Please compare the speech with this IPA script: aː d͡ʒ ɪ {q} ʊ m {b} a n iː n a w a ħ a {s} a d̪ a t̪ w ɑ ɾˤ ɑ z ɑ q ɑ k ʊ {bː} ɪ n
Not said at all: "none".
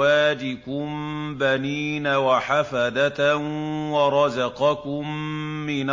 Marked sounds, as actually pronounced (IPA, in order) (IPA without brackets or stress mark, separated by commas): k, b, f, mː